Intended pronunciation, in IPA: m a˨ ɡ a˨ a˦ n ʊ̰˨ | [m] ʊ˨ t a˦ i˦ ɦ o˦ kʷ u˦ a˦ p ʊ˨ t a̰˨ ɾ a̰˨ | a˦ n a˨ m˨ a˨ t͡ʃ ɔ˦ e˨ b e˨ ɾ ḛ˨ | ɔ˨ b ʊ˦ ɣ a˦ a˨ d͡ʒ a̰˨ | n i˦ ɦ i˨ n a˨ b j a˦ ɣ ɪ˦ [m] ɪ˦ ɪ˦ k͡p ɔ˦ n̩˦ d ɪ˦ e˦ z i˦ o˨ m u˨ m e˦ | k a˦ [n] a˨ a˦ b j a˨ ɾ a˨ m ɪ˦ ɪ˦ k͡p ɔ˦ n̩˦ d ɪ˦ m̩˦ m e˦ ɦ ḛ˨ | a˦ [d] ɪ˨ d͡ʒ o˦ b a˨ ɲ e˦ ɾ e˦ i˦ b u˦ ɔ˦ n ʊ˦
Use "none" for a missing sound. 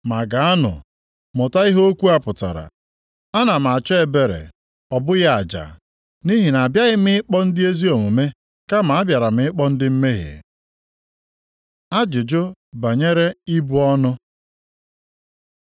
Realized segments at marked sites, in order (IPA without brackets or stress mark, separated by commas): m, m, m, d͡ʒ